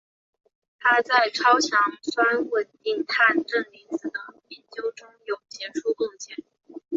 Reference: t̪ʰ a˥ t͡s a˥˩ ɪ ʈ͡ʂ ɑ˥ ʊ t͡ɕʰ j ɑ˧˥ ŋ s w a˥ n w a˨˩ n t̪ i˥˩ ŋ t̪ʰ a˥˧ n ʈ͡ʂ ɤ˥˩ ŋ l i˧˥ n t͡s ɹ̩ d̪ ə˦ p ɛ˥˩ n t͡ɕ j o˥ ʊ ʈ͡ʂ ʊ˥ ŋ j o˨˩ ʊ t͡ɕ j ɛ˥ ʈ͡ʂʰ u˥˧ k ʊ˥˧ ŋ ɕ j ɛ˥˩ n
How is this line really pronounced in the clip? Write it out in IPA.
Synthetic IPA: t̪ʰ a˥ t͡s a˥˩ ɪ ʈ͡ʂʰ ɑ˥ ʊ t͡ɕʰ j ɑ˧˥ ŋ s w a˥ n w ə˨˩ n t̪ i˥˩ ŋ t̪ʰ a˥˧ n ʈ͡ʂ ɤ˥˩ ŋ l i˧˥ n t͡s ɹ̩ d̪ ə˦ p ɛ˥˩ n t͡ɕ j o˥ ʊ ʈ͡ʂ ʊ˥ ŋ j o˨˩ ʊ t͡ɕ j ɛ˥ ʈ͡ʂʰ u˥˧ k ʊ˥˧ ŋ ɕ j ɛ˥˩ n